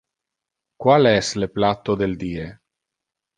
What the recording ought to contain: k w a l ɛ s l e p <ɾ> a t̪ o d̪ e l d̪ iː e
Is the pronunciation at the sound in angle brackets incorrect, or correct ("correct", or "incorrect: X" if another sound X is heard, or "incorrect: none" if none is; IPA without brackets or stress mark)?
incorrect: l